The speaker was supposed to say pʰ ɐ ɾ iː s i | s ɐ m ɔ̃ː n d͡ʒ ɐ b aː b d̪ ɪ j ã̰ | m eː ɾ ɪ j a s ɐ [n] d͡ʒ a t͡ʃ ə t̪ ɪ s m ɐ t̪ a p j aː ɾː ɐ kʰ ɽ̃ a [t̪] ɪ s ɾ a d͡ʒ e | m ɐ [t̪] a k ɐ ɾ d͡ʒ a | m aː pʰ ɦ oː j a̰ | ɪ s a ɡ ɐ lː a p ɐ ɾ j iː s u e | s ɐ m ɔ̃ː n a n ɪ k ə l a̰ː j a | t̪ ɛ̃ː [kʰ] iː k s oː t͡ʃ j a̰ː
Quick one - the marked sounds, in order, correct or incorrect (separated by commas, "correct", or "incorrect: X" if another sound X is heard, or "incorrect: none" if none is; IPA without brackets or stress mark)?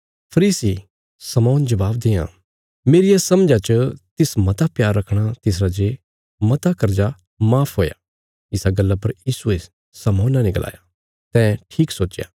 incorrect: m, correct, correct, incorrect: ʈʰ